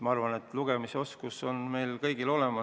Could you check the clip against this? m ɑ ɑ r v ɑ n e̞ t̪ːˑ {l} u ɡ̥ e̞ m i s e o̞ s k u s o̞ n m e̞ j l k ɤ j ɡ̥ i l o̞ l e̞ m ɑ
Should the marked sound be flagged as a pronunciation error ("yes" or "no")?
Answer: no